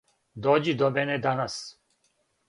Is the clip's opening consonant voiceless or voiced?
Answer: voiced